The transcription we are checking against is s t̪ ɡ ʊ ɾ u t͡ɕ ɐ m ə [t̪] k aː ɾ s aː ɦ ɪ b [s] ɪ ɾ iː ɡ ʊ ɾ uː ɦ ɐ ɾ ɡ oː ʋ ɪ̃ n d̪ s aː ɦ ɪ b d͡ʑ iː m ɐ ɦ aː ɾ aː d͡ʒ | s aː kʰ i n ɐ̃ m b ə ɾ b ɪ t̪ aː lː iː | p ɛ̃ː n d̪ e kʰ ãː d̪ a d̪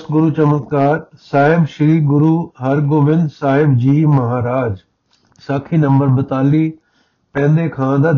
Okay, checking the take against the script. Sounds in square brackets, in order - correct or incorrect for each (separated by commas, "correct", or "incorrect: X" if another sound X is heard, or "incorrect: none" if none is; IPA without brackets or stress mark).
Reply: correct, incorrect: ʃ